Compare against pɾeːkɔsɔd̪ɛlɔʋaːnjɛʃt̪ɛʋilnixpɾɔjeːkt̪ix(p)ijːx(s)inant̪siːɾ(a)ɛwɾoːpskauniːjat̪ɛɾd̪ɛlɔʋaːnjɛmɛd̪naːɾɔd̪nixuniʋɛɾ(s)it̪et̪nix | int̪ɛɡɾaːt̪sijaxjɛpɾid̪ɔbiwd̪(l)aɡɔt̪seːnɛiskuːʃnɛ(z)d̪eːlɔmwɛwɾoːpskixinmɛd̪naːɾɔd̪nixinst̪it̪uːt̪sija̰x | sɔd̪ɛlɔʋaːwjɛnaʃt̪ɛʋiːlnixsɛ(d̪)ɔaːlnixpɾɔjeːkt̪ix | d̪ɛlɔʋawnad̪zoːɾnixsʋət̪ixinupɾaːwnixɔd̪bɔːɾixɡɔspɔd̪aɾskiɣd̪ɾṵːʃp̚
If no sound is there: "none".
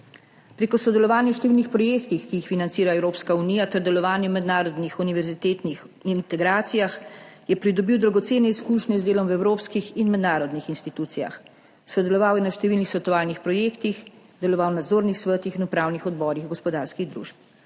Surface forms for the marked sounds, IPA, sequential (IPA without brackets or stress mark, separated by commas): k, f, a, z, ɾ, z, t̪